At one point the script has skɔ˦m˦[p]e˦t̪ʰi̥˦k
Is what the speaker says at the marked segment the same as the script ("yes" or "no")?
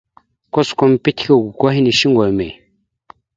yes